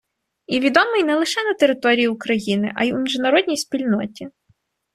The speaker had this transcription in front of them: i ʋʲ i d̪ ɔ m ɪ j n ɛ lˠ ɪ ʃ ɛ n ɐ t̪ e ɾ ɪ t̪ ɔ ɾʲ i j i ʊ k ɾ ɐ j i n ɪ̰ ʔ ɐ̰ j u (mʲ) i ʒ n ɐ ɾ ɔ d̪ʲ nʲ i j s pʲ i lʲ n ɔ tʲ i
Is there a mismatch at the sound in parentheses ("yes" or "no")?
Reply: no